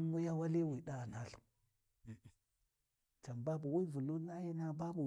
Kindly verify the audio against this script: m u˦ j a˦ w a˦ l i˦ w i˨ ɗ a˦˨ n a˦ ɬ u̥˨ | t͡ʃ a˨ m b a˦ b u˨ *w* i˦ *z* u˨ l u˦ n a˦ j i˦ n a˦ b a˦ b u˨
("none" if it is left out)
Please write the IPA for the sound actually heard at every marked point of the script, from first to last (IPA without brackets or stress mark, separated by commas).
w, v